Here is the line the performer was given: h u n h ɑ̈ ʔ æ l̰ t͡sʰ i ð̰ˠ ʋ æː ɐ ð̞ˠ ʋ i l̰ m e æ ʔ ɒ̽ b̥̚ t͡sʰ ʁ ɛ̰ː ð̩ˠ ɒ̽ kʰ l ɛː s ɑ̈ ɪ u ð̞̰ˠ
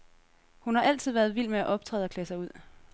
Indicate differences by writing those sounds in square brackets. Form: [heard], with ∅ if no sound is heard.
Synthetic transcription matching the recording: h u n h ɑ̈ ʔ æ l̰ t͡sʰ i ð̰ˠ ʋ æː ɐ ð̞ˠ ʋ i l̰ m e æ ʔ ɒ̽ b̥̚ t͡sʰ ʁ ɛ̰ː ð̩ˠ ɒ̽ kʰ l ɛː s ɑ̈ ɪ u ð̞̰ˠ